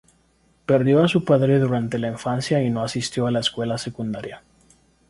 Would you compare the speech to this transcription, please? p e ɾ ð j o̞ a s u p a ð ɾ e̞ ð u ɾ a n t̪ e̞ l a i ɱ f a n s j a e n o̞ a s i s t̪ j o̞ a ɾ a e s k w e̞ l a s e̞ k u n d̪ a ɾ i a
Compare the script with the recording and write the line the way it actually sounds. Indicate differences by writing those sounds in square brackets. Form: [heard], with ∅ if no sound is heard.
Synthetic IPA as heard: p e ɾ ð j o̞ a s u p a ð ɾ e̞ ð u ɾ a n t̪ e̞ l a i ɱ f a n s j a [i] n o̞ a s i s t̪ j o̞ a [l] a e s k w e̞ l a s e̞ k u n d̪ a ɾ [j] a